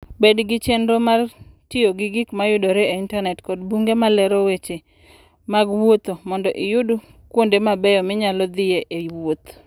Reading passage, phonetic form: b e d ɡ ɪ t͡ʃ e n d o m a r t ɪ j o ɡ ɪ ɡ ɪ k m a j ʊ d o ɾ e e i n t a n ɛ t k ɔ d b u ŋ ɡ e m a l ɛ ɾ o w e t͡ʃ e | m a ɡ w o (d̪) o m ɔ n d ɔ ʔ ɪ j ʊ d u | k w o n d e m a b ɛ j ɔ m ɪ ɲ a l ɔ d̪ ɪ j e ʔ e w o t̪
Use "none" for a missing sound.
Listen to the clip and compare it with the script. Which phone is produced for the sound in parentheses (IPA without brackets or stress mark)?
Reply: t̪